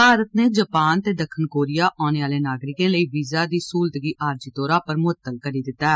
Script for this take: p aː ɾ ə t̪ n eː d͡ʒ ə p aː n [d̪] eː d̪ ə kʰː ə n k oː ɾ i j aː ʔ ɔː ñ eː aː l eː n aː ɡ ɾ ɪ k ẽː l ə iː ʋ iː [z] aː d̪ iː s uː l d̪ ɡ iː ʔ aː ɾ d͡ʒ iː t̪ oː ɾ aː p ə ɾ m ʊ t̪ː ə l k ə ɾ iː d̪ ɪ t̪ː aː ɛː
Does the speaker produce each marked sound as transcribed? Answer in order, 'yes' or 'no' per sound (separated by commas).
no, yes